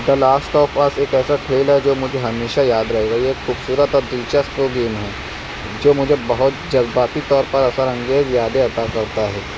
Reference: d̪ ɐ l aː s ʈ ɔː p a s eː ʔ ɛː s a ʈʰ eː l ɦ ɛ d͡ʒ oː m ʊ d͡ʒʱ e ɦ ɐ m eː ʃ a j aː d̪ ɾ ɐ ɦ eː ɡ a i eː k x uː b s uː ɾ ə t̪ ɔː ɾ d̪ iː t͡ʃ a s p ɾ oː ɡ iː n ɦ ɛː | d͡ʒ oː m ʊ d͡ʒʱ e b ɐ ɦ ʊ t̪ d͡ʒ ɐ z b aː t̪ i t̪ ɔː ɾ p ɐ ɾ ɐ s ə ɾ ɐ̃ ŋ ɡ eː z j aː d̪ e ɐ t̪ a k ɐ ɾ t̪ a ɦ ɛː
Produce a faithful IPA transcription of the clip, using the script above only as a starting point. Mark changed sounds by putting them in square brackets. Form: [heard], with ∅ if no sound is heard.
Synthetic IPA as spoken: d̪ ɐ l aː s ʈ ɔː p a s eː [k] ɛː s a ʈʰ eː l ɦ ɛ d͡ʒ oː m ʊ d͡ʒʱ e ɦ ɐ m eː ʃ a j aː d̪ ɾ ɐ ɦ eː ɡ a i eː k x uː b s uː ɾ ə t̪ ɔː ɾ d̪ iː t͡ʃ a s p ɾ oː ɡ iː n ɦ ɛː | d͡ʒ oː m ʊ d͡ʒʱ e b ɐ ɦ ʊ t̪ d͡ʒ ɐ z b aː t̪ i t̪ ɔː ɾ p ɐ ɾ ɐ s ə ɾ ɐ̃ ŋ ɡ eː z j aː d̪ e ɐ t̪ a k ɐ ɾ t̪ a ɦ ɛː